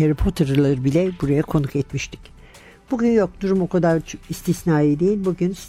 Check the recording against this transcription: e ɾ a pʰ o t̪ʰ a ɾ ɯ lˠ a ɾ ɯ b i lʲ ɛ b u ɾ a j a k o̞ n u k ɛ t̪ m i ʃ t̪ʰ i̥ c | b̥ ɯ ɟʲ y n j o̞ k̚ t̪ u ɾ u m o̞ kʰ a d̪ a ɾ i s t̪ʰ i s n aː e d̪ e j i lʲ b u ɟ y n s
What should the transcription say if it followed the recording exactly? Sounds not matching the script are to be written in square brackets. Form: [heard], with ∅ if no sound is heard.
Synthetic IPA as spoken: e ɾ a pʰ o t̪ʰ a ɾ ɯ lˠ a ɾ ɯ b i lʲ ɛ b u ɾ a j a [kʰ] o̞ n u k ɛ t̪ m i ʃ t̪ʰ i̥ c | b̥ [u] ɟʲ y n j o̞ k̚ [d̪] u ɾ u m o̞ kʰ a d̪ a ɾ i s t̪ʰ i s n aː e d̪ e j i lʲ b u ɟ y n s